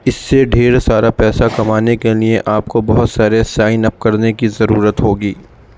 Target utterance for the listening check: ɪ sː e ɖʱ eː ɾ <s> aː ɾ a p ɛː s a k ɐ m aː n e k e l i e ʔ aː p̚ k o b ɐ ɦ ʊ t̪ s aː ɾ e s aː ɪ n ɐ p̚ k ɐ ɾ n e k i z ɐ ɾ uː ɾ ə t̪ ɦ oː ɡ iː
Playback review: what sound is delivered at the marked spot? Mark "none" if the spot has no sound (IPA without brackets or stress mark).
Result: s